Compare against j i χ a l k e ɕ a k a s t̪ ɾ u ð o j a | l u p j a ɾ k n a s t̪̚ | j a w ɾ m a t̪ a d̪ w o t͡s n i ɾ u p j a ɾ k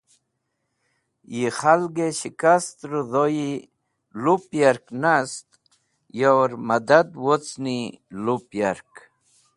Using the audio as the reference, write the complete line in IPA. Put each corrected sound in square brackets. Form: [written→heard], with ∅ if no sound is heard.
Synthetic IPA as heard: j i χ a l [k→ɡ] e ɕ [a→i] k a s t̪ ɾ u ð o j [a→i] | l u p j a ɾ k n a s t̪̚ | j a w ɾ m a [t̪→d̪] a d̪ w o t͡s n i [ɾ→l] u p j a ɾ k